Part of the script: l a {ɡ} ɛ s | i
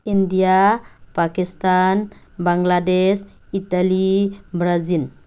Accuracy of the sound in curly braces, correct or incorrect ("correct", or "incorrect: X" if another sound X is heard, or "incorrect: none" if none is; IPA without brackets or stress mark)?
incorrect: d